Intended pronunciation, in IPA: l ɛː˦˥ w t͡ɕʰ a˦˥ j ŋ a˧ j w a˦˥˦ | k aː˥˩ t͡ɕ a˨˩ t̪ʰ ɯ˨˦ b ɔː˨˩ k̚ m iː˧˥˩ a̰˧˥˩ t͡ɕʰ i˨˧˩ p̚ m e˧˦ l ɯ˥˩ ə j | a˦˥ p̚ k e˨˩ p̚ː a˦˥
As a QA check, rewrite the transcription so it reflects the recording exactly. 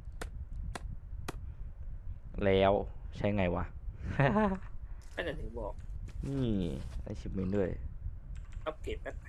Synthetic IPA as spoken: l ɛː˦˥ w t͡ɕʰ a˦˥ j ŋ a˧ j w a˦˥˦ | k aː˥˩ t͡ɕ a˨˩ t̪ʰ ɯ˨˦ b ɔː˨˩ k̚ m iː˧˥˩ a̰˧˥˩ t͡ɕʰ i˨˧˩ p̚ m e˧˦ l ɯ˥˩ ə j | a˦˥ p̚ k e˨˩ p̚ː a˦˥

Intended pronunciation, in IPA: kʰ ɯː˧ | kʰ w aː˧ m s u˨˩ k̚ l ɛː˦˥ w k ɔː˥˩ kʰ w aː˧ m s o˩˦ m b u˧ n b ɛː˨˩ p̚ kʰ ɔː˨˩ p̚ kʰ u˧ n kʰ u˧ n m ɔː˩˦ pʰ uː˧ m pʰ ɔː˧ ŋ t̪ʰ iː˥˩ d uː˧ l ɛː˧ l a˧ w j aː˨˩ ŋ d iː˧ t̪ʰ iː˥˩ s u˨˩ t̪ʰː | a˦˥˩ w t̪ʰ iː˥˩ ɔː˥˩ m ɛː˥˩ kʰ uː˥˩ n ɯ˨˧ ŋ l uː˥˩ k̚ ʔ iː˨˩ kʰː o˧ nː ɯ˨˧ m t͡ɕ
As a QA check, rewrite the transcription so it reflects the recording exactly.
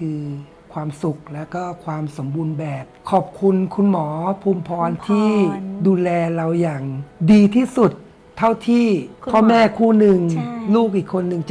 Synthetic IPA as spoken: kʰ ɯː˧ | kʰ w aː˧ m s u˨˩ k̚ l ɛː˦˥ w k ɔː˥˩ kʰ w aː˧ m s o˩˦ m b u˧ n b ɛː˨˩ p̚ kʰ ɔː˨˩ p̚ kʰ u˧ n kʰ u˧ n m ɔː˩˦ pʰ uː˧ m pʰ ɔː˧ n t̪ʰ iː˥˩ d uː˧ l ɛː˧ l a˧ w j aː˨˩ ŋ d iː˧ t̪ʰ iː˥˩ s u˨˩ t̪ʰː | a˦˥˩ w t̪ʰ iː˥˩ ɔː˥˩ m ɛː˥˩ kʰ uː˥˩ n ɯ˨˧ ŋ l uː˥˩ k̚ ʔ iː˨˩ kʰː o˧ nː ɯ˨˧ ŋ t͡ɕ

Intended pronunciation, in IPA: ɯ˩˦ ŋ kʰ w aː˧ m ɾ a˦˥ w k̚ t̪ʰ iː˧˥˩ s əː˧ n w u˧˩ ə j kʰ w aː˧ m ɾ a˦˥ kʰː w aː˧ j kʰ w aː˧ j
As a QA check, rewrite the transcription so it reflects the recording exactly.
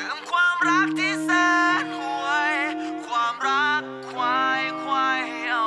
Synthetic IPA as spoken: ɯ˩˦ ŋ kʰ w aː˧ m ɾ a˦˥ k̚ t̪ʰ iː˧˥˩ s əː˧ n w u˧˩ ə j kʰ w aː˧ m ɾ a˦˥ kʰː w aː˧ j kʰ w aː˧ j

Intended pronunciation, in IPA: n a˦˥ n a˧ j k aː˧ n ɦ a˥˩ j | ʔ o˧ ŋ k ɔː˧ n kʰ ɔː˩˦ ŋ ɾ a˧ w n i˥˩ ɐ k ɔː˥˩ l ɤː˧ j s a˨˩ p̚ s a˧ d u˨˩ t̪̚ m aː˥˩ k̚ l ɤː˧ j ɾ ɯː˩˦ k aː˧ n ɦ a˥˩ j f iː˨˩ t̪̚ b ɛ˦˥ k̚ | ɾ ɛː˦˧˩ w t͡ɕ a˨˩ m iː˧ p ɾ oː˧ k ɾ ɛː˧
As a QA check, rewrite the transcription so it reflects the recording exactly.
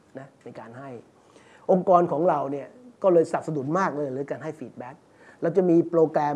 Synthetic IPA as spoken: n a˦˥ n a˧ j k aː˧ n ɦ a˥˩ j | ʔ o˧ ŋ k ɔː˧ n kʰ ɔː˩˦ ŋ ɾ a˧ w n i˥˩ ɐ k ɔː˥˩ l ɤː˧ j s a˨˩ p̚ s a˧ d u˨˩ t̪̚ m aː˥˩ k̚ l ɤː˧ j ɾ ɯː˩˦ k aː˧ n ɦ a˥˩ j f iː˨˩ t̪̚ b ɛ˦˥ k̚ | ɾ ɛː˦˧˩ w t͡ɕ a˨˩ m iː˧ p ɾ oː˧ k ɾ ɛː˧

